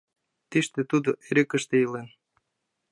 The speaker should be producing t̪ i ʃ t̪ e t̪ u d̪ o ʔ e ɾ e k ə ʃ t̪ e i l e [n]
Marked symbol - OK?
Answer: yes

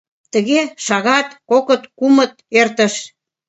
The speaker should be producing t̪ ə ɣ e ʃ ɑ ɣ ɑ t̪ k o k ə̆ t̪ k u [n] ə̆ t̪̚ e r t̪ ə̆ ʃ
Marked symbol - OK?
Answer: no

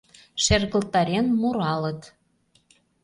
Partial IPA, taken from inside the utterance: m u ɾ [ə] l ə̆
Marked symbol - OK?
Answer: no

